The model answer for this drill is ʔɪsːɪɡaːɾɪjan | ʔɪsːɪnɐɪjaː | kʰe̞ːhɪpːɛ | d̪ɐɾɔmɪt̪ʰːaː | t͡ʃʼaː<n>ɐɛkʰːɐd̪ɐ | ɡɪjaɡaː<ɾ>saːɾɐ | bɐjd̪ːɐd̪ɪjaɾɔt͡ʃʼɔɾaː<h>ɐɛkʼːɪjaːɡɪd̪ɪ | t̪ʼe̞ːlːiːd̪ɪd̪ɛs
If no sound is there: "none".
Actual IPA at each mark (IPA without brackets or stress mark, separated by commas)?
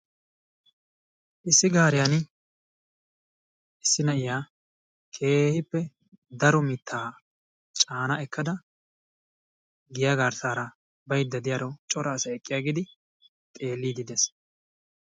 n, ɾ, s